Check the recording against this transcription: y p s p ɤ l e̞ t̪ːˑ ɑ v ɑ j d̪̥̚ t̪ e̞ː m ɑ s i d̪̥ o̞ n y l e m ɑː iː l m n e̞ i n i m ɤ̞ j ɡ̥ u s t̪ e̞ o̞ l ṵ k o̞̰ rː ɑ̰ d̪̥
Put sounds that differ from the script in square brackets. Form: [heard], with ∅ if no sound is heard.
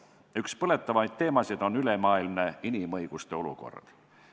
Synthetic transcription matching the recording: y [k] s p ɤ l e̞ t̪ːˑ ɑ v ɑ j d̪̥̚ t̪ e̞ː m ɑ s i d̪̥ o̞ n y l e m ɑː [i] l m n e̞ i n i m ɤ̞ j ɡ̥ u s t̪ e̞ o̞ l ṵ k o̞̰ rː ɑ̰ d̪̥